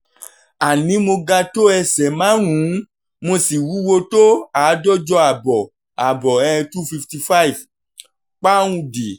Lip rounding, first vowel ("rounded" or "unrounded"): unrounded